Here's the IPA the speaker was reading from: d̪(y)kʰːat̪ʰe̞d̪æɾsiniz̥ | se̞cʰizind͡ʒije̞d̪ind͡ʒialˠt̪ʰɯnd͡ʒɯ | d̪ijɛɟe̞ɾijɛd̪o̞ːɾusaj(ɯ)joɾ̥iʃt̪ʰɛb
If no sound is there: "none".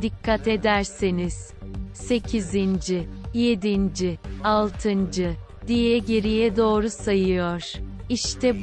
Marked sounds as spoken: i, ɯ

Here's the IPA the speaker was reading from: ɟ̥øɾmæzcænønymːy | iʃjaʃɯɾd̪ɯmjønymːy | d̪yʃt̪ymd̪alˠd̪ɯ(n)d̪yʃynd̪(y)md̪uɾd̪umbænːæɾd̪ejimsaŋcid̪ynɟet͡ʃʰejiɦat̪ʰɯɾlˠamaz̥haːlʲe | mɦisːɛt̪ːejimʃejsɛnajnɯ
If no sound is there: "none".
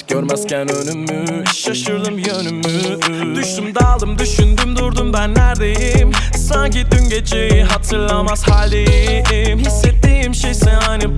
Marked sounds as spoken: m, y

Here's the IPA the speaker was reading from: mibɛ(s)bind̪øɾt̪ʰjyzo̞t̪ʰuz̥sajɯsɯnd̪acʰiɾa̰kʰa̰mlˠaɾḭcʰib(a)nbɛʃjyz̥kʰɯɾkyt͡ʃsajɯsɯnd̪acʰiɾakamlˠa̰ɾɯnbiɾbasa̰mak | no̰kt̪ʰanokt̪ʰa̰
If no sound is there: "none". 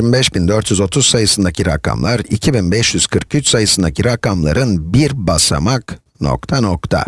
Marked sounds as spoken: ʃ, i

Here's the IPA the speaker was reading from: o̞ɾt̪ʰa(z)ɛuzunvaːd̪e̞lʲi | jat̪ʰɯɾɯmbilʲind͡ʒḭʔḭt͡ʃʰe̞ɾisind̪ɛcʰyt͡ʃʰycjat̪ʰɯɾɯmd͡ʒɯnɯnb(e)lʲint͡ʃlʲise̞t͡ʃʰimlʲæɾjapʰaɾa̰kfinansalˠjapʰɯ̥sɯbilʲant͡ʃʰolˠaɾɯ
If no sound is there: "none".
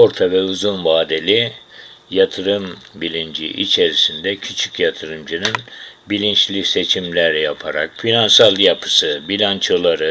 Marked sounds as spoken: v, i

